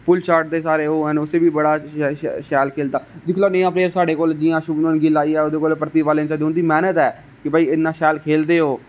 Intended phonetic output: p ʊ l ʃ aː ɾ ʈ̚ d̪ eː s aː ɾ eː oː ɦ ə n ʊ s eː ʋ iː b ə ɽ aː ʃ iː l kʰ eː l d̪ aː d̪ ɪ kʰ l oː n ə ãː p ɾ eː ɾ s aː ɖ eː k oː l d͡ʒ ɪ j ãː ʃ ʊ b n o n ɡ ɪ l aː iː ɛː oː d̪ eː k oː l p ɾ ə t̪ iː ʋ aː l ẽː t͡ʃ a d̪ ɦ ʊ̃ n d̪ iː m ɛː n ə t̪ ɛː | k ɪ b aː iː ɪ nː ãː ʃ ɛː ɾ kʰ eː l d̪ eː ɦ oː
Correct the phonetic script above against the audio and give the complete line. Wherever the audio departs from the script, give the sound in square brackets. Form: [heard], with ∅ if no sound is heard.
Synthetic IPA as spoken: p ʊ l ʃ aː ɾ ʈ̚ d̪ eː s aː ɾ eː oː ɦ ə n ʊ s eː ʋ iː b ə ɽ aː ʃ [ɛː] l kʰ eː l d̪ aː d̪ ɪ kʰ l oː n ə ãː p ɾ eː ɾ s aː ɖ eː k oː l d͡ʒ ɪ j ãː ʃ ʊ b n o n ɡ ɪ l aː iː ɛː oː d̪ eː k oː l p ɾ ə t̪ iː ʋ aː l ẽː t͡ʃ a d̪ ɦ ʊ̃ n d̪ iː m ɛː n ə t̪ ɛː | k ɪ b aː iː ɪ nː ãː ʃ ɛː [l] kʰ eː l d̪ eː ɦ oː